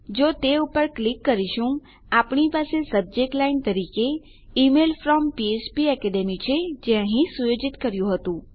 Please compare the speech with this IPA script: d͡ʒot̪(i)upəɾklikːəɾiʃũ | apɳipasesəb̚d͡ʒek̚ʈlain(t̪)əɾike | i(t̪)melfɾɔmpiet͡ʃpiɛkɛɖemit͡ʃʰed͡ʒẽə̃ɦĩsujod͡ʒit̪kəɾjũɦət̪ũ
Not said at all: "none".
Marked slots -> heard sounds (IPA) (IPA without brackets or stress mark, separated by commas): e, t̪, none